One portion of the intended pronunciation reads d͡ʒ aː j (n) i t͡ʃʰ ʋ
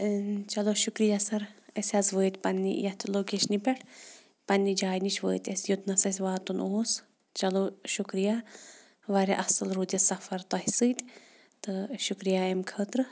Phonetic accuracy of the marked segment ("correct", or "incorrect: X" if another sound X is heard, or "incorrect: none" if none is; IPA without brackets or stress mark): correct